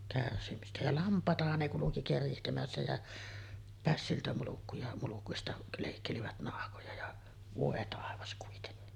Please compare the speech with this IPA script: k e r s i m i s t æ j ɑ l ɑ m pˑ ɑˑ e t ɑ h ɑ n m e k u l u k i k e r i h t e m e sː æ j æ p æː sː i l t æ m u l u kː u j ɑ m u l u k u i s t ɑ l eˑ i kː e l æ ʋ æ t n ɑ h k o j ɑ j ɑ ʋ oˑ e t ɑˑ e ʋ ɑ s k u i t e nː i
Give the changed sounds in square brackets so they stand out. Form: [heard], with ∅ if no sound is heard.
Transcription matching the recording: k [æ] r s i m i s t æ j ɑ l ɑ m pˑ ɑˑ e t ɑ h ɑ n [n] e k u l u k i k e r i h t e m [æ] sː æ j æ p [æ] sː i l t æ m u l u kː u j ɑ m u l u k u i s t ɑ l eˑ i kː e l [i] ʋ æ t n ɑ h k o j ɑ j ɑ ʋ oˑ e t ɑˑ e ʋ ɑ s k u i t e nː i